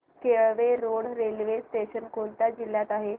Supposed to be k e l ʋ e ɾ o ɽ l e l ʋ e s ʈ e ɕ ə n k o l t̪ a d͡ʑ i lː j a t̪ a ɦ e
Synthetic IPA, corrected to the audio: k e ɭ ʋ e ɾ o ɽ ɾ e l ʋ e s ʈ e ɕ ə n k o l t̪ a d͡ʑ i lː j a t̪ a ɦ e